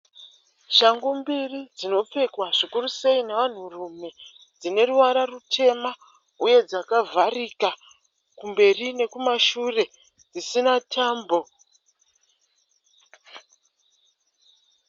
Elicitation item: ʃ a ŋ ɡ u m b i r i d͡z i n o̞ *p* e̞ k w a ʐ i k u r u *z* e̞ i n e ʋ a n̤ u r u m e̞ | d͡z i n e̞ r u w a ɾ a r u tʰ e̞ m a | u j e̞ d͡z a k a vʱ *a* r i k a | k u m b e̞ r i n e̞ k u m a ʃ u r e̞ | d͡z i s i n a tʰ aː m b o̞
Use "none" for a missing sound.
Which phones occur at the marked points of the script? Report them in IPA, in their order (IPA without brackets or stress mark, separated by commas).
p͡f, s, a